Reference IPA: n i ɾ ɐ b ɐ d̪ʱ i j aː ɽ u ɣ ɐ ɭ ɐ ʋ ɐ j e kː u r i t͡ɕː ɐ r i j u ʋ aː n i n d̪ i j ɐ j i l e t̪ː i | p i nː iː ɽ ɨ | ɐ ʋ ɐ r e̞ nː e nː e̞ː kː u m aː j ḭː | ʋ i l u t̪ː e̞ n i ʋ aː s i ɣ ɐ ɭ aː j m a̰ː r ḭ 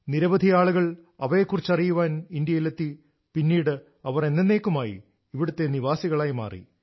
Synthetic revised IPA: n i ɾ ɐ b ɐ d̪ʱ i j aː ɭ u ɣ ɐ ɭ ɐ ʋ ɐ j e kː u r i t͡ɕː ɐ r i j u ʋ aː n i n d̪ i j ɐ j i l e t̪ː i | p i nː iː ɽ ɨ | ɐ ʋ ɐ r e̞ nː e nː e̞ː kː u m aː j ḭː | ʋ i ɽ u t̪ː e̞ n i ʋ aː s i ɣ ɐ ɭ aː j m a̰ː r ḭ